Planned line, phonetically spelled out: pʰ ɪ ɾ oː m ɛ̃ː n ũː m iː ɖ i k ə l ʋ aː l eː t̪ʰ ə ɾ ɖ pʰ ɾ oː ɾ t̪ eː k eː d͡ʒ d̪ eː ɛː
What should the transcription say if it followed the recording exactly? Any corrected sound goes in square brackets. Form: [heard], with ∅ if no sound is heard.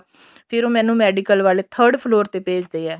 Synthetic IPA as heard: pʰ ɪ ɾ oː m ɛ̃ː n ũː m [ɛː] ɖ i k ə l ʋ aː l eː t̪ʰ ə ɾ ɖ pʰ [l] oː ɾ t̪ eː [p] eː d͡ʒ d̪ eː ɛː